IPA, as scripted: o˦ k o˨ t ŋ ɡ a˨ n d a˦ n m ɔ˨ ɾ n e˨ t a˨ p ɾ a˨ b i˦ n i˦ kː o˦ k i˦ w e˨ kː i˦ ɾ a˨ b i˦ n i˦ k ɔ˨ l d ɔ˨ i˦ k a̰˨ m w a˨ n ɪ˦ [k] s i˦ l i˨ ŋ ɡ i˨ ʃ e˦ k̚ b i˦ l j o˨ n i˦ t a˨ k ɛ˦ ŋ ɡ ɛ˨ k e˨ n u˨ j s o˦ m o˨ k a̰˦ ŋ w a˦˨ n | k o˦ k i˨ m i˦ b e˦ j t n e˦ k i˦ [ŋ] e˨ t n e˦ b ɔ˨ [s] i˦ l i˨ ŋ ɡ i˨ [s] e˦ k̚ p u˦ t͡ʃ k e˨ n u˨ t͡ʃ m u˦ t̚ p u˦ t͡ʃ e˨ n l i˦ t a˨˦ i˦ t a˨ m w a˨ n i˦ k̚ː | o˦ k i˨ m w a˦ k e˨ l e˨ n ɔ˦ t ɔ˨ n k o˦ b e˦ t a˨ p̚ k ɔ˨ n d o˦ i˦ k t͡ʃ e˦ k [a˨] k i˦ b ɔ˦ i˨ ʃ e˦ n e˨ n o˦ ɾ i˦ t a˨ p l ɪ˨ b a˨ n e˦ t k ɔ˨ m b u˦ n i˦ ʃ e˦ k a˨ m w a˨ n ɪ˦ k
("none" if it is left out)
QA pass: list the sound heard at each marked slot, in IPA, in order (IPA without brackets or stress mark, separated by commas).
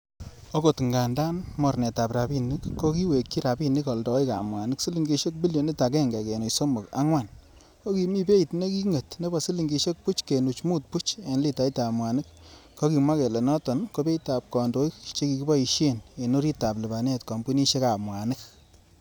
k, ŋ, s, ʃ, i˨